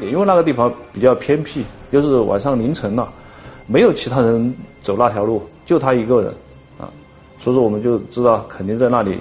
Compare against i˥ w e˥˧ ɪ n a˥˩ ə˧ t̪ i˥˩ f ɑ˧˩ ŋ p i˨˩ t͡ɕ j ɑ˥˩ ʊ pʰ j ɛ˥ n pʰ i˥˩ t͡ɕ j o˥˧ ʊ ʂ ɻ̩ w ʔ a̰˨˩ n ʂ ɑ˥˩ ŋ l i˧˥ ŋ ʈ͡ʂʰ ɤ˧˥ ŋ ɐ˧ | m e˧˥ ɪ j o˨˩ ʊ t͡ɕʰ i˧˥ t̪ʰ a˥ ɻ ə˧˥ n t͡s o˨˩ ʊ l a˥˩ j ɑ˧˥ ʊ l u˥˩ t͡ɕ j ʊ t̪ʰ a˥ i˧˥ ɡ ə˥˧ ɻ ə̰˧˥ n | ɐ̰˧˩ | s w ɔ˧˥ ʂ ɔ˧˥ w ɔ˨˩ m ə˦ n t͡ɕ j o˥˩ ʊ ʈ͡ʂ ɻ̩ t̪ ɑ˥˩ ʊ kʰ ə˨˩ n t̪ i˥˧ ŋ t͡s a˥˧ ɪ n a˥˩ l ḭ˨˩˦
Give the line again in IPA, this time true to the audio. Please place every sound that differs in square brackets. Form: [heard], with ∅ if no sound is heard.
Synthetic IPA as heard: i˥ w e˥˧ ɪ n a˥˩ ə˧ t̪ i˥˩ f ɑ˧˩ ŋ p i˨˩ t͡ɕ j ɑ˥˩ ʊ pʰ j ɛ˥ n pʰ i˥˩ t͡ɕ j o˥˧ ʊ ʂ ɻ̩ w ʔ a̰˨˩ n ʂ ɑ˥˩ ŋ l i˧˥ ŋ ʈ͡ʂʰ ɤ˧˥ ŋ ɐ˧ | m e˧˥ ɪ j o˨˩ ʊ t͡ɕʰ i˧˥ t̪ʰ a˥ ɻ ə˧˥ n t͡s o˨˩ ʊ l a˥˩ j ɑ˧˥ ʊ l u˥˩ t͡ɕ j ʊ t̪ʰ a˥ i˧˥ ɡ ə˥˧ ɻ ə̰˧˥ n | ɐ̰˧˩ | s w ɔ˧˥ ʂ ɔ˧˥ w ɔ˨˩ m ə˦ n t͡ɕ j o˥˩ ʊ ʈ͡ʂ ɻ̩ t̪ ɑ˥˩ ʊ kʰ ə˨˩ n t̪ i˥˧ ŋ t͡s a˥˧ ɪ n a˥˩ l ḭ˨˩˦